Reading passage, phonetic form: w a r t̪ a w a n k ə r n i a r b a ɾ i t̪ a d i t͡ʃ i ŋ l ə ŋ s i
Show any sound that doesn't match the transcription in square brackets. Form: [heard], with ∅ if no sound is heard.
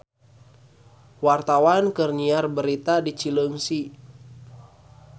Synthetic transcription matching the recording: w a r t̪ a w a n k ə r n i a r b [ə] ɾ i t̪ a d i t͡ʃ i [∅] l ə ŋ s i